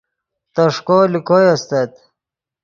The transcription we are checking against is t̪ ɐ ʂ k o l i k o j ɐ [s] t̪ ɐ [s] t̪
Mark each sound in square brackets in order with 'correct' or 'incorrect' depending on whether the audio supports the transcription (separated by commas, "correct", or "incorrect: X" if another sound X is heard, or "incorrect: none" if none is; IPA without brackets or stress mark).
correct, incorrect: none